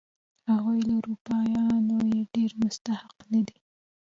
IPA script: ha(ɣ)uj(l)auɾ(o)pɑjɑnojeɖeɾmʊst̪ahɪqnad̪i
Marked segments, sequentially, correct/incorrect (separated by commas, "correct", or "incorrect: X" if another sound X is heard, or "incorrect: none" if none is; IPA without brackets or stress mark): correct, correct, incorrect: u